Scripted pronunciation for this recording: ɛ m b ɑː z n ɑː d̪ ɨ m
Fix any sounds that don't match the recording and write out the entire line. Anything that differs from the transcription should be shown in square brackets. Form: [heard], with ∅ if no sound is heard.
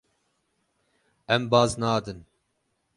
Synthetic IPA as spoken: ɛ m b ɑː z n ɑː d̪ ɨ [n]